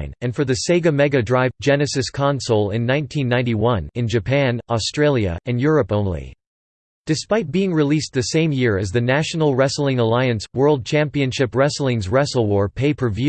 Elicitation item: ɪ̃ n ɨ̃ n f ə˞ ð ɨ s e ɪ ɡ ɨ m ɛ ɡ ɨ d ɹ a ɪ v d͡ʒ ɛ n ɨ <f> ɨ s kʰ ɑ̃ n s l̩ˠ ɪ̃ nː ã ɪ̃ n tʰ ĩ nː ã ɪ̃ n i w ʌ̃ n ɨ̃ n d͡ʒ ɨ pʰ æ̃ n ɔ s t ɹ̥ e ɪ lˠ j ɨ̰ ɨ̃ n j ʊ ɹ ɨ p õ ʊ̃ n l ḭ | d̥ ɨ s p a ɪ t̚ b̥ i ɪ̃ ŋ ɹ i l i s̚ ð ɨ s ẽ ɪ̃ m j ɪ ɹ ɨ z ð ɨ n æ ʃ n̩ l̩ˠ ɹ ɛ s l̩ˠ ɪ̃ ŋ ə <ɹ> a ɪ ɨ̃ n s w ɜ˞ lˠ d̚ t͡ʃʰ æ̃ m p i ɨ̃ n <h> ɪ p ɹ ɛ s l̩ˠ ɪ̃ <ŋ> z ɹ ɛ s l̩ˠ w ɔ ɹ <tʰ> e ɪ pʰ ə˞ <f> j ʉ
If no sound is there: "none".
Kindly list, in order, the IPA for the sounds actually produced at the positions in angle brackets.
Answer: s, l, ʃ, ŋ, pʰ, v

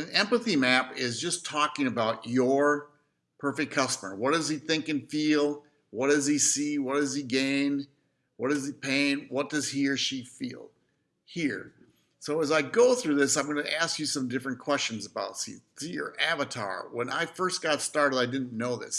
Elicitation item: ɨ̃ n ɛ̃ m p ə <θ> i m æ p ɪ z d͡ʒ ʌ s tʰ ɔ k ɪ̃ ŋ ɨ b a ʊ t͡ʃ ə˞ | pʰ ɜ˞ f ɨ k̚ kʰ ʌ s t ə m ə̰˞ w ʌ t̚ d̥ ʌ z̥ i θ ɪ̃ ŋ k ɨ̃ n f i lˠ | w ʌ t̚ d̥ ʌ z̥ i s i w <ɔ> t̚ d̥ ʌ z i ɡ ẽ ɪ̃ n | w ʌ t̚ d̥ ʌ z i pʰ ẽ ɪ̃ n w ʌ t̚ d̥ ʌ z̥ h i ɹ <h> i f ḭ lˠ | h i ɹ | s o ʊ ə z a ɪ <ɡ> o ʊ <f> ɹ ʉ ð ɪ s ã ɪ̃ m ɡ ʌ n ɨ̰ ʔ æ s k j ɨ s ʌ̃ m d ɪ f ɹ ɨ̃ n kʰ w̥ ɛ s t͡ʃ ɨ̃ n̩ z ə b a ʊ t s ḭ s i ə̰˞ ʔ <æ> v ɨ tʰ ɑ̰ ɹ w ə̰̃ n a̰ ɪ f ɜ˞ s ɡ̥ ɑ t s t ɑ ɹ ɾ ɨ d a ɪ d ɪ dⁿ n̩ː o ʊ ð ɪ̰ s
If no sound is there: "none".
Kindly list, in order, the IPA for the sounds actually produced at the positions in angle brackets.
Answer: θ, ʌ, ʃ, ɡ, θ, æ

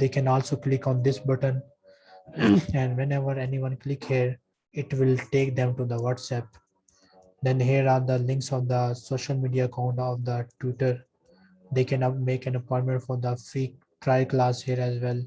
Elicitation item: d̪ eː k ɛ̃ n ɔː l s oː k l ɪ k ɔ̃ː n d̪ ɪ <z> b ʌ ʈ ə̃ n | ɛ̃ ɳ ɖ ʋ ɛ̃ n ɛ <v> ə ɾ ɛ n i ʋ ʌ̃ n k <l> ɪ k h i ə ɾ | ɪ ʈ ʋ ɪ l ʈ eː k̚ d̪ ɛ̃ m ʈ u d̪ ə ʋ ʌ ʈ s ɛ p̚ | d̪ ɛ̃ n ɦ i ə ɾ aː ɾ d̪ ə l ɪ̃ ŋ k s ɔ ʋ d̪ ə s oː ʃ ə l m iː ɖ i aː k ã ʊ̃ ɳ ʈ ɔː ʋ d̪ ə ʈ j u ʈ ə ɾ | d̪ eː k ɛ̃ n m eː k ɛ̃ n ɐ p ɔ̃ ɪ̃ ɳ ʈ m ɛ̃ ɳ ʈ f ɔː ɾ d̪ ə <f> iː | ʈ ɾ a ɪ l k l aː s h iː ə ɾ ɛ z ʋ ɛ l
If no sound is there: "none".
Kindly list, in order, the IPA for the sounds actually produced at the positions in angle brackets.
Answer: s, ʋ, l, f

